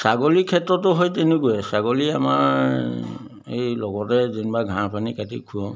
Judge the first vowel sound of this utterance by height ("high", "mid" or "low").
low